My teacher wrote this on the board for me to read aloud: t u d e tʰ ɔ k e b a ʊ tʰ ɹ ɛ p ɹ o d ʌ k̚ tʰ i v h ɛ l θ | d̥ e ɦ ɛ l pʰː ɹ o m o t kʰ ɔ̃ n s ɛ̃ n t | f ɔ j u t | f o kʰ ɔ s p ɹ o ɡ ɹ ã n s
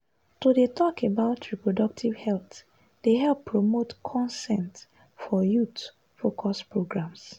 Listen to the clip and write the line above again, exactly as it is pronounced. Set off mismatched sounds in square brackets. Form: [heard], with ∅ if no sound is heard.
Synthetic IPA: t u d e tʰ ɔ k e b a ʊ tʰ ɹ [i] p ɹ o d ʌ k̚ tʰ i v h ɛ l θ | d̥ e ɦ ɛ l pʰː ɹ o m o t kʰ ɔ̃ n s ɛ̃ n t | f ɔ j u t | f o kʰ ɔ s p ɹ o ɡ ɹ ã [m] s